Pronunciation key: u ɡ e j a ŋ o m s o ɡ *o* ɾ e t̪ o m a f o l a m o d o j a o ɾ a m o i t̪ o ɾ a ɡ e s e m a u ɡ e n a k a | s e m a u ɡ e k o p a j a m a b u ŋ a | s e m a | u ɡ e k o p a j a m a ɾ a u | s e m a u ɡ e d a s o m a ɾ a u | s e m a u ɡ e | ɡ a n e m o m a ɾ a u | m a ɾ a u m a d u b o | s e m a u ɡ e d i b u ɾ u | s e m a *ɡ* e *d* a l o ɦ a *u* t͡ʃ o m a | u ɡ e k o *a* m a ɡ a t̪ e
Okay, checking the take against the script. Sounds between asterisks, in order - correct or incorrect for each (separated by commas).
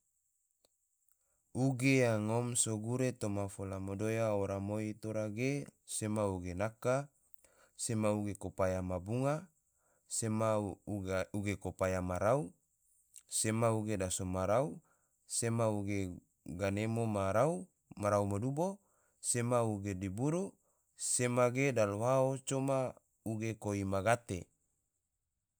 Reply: incorrect, correct, correct, incorrect, incorrect